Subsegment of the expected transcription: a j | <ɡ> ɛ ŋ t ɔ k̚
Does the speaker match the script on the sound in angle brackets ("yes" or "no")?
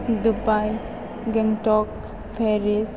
yes